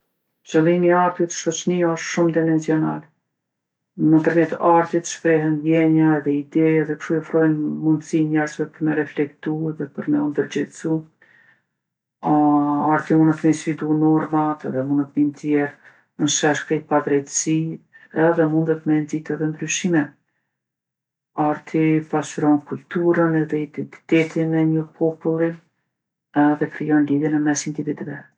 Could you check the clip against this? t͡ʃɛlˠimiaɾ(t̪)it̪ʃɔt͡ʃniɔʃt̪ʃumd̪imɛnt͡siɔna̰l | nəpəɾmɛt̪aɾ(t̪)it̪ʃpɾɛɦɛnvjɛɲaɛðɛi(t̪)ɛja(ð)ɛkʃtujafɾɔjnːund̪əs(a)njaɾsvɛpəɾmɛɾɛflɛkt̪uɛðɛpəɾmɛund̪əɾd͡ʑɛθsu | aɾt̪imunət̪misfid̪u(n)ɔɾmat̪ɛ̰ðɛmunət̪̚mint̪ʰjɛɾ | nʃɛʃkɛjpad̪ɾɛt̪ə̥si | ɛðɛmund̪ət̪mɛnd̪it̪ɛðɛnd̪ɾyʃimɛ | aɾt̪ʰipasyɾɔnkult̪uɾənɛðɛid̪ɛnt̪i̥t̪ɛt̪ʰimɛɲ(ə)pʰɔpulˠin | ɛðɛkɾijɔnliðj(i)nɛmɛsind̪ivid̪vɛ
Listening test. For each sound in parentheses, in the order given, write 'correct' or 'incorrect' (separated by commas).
correct, correct, incorrect, correct, incorrect, correct, correct, incorrect